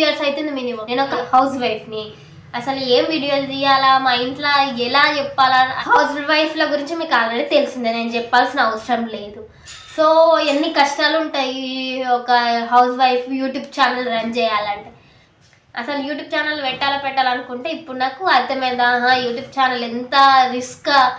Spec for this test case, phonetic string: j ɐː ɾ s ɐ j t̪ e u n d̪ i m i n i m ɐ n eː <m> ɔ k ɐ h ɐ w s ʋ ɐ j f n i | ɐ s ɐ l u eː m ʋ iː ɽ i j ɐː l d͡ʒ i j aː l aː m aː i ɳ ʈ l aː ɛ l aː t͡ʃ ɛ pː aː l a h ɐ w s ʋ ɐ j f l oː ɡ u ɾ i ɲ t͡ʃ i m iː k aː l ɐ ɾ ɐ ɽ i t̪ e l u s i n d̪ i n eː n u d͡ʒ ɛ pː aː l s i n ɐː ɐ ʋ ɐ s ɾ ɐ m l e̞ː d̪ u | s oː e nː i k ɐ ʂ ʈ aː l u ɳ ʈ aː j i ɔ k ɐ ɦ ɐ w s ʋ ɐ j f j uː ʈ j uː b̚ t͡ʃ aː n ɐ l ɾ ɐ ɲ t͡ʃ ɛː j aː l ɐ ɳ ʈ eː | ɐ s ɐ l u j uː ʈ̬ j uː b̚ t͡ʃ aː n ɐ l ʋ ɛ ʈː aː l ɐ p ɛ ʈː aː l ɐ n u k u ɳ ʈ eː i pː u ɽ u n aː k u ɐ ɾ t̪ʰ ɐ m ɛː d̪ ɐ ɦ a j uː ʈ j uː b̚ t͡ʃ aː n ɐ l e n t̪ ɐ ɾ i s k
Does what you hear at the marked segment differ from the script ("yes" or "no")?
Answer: yes